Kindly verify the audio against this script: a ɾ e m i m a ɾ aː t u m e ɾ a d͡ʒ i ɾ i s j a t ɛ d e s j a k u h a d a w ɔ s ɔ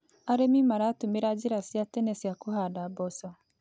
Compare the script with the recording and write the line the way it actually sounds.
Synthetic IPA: a ɾ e m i m a ɾ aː t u m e ɾ a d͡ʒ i ɾ a s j a t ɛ n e s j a k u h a d a b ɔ s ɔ